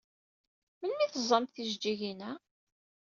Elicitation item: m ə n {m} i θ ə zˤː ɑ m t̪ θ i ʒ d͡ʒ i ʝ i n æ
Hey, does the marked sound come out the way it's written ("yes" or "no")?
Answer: yes